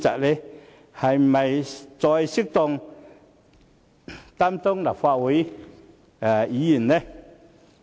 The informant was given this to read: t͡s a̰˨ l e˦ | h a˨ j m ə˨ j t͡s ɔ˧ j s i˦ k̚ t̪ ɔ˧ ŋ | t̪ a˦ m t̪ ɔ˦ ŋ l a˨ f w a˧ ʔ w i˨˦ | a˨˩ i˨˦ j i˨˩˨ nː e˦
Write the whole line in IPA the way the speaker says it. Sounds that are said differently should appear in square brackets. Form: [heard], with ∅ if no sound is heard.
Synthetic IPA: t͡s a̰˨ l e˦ | h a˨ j m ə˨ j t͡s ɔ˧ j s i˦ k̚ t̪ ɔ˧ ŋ | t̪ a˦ m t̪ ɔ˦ ŋ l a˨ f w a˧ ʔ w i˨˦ | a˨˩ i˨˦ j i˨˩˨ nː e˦

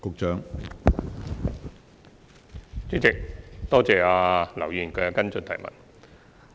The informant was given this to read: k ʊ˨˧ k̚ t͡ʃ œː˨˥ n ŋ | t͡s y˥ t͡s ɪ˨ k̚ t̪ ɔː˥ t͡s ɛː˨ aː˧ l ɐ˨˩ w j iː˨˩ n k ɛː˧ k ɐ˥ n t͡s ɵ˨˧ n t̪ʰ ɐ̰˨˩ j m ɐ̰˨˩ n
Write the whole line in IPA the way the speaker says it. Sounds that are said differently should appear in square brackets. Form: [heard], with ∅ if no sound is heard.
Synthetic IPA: k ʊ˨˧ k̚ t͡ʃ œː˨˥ [∅] ŋ | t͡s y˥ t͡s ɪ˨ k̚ t̪ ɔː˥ t͡s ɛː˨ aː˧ l ɐ˨˩ w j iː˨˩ n k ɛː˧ k ɐ˥ n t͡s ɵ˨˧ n t̪ʰ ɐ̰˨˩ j m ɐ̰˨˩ n

